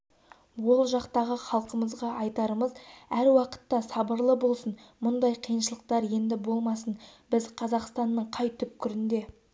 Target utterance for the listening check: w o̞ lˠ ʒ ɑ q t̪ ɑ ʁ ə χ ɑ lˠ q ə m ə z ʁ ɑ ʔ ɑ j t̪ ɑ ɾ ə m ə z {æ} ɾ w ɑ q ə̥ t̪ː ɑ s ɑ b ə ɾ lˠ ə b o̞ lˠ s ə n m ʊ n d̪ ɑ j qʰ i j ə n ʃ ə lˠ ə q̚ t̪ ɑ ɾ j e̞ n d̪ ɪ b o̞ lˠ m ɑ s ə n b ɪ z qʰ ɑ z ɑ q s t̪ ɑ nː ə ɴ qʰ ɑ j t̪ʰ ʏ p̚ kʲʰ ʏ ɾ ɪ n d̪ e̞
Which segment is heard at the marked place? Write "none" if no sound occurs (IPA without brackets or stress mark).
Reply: æ